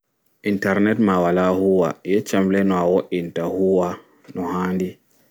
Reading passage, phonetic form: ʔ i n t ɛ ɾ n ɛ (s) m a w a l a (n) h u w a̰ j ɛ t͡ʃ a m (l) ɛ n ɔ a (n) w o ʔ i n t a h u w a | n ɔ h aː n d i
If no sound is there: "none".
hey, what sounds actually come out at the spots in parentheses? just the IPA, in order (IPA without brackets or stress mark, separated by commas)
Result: t, none, l, none